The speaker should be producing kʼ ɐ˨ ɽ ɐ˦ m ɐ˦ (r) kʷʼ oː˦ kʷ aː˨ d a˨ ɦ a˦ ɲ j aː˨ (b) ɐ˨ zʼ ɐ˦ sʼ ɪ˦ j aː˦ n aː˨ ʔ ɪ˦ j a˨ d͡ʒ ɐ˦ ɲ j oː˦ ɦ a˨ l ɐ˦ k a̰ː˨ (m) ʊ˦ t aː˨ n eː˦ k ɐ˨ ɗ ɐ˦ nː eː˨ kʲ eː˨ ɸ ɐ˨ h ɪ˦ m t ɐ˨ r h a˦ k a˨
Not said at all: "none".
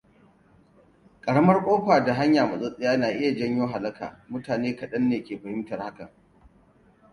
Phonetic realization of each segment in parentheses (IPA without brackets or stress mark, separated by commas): r, m, m